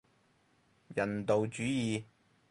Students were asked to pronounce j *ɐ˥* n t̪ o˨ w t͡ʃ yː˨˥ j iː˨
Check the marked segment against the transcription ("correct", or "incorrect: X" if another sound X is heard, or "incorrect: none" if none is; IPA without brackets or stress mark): incorrect: ɐ˨˩